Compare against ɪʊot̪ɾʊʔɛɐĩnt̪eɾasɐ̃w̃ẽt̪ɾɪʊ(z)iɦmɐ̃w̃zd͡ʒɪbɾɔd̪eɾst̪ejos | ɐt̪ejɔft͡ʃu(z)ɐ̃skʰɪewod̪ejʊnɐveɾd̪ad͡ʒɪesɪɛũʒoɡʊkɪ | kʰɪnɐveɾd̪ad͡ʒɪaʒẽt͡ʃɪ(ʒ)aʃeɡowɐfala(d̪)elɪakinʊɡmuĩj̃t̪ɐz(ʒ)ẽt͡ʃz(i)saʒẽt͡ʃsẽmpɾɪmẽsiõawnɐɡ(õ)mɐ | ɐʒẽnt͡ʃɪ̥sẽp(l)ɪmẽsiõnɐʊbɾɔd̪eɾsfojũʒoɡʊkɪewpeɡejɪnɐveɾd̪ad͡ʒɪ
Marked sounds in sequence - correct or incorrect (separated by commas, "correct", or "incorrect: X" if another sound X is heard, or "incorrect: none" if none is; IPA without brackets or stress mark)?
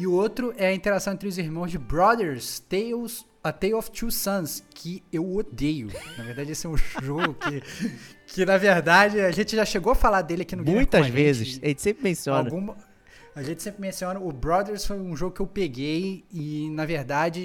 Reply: correct, incorrect: s, correct, correct, incorrect: v, incorrect: ɪ, incorrect: ũ, incorrect: ɾ